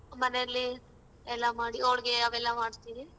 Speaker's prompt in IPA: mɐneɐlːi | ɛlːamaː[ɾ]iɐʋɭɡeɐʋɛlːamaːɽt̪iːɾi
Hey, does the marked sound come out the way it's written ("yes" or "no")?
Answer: no